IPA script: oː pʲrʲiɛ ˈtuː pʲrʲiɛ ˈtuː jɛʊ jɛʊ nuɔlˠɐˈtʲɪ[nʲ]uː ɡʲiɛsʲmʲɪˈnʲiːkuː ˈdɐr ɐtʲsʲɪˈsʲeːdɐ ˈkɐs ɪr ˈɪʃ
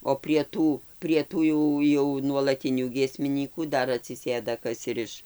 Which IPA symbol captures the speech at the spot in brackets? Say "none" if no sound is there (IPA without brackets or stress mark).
nʲ